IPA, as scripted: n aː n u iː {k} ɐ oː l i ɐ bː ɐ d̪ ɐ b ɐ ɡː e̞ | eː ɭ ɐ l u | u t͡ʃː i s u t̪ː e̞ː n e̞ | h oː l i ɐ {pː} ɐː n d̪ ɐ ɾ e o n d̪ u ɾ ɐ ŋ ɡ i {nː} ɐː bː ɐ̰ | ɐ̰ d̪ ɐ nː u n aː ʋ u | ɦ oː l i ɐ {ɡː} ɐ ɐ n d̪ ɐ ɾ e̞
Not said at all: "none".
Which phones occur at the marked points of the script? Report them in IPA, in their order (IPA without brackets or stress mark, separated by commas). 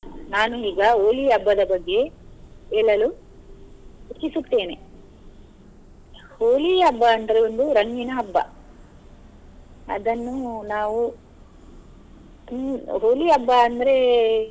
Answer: ɡ, bː, n, bː